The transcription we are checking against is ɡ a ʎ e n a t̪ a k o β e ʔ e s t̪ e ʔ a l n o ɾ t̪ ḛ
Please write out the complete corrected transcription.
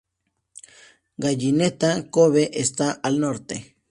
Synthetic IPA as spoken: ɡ a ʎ i n e t̪ a k o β e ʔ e s t̪ a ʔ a l n o ɾ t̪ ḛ